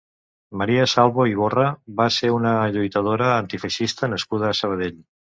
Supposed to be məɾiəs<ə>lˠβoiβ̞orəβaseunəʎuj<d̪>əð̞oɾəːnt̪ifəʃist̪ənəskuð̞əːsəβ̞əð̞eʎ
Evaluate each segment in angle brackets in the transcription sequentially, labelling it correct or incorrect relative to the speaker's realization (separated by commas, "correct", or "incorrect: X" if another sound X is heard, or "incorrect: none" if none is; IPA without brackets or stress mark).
incorrect: a, incorrect: t̪